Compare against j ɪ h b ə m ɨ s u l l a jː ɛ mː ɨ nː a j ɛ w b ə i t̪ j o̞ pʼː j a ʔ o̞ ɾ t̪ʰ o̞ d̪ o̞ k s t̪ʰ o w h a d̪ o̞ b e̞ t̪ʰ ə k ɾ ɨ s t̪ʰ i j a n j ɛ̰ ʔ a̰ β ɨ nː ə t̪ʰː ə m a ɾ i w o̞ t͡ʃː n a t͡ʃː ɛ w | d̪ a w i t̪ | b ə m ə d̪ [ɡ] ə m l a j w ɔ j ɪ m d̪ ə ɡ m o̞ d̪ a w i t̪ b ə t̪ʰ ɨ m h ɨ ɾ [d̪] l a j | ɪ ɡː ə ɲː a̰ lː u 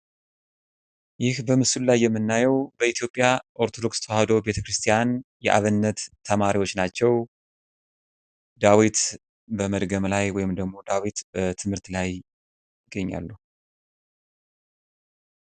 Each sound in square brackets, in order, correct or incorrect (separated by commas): correct, incorrect